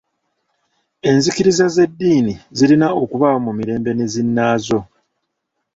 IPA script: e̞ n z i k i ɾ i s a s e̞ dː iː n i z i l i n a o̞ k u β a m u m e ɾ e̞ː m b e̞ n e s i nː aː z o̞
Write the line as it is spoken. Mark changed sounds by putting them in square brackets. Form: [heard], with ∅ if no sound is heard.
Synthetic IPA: e̞ n z i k i ɾ i [z] a [z] e̞ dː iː n i z i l i n a o̞ k u β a m u m [i] ɾ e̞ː m b e̞ n e [z] i nː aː z o̞